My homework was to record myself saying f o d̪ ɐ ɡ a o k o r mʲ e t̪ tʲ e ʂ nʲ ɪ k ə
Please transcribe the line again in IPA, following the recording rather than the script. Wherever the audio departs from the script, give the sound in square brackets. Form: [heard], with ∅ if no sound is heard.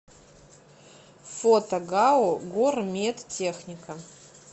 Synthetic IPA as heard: f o [t̪] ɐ ɡ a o [ɡ] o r mʲ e t̪ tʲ e [x] nʲ ɪ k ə